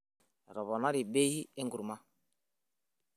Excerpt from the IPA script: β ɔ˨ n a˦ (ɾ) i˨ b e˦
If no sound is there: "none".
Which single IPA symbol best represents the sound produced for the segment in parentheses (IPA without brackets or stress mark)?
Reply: ɾ